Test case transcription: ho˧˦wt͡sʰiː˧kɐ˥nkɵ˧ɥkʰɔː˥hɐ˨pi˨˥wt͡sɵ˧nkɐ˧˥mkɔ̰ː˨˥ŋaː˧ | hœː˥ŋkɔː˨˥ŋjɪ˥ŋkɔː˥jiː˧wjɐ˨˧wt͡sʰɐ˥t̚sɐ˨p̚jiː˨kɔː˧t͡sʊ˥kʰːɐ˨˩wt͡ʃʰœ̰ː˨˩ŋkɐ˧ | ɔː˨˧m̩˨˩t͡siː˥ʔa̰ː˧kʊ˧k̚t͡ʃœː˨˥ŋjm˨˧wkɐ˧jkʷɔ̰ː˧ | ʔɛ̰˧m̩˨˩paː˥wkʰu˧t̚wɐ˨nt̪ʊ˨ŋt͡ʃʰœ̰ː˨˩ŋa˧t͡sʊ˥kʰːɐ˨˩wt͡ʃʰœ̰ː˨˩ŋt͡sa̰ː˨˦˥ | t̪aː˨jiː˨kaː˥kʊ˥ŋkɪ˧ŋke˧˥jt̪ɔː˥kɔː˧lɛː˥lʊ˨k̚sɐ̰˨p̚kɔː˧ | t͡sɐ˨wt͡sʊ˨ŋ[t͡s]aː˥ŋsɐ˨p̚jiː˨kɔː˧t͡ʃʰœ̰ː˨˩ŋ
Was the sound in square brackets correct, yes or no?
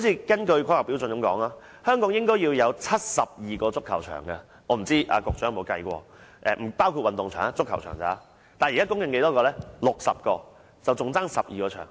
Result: yes